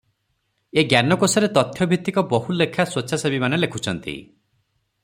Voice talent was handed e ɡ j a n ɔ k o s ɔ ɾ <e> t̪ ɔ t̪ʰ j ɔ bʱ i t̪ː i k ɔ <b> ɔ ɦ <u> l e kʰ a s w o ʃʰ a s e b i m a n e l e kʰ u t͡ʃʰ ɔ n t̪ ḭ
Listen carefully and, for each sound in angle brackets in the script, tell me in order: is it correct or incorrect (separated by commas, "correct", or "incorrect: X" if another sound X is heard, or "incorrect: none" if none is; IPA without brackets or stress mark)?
correct, correct, correct